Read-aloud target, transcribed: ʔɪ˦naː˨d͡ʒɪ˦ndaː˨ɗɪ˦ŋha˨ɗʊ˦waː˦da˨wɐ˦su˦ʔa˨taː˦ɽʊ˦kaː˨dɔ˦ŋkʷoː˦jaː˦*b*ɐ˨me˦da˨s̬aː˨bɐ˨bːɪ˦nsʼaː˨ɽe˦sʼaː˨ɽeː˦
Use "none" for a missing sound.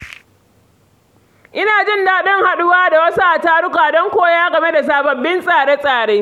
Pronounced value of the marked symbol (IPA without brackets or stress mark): ɡ